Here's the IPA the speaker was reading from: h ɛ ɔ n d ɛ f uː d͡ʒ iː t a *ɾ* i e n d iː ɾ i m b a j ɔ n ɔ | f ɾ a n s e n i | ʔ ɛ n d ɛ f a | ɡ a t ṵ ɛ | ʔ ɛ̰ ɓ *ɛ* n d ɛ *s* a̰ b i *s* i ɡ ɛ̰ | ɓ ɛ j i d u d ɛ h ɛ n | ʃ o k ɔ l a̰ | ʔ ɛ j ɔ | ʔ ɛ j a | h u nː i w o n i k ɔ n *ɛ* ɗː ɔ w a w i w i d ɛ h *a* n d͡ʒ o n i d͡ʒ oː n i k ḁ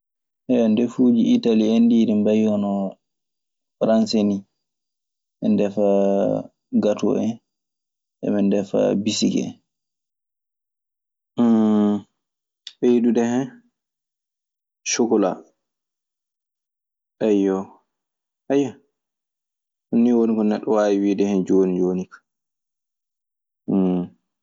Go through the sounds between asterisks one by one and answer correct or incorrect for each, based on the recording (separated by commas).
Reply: incorrect, correct, incorrect, correct, correct, incorrect